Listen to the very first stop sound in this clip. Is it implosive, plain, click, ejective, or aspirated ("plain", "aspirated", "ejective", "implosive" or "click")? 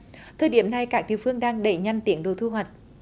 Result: aspirated